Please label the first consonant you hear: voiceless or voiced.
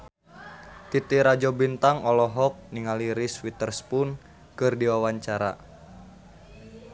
voiceless